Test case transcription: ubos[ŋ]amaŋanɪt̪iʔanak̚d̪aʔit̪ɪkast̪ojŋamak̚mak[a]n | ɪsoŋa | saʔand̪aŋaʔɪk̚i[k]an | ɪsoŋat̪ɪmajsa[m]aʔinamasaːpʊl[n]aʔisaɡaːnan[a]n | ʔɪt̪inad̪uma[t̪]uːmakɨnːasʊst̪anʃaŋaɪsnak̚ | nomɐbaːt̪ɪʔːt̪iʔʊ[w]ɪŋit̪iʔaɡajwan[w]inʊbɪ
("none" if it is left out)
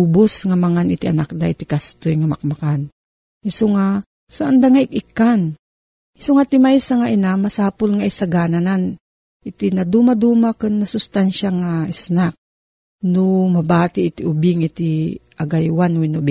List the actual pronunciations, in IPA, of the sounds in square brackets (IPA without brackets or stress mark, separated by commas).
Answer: ŋ, a, k, ŋ, ŋ, a, d̪, b, w